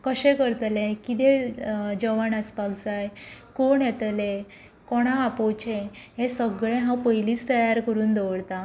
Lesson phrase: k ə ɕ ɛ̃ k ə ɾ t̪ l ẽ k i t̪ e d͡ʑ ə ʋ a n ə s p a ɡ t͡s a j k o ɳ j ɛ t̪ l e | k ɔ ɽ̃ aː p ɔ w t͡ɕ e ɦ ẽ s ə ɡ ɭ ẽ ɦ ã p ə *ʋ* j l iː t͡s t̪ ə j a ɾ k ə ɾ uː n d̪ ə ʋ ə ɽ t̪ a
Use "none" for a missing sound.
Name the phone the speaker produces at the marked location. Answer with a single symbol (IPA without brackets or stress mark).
none